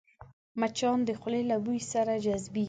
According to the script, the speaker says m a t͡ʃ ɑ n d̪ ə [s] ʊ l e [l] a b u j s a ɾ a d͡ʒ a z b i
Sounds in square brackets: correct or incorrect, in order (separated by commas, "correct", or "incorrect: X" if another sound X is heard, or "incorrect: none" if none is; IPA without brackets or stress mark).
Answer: incorrect: x, correct